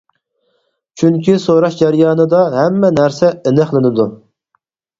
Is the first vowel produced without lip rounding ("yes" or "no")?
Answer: no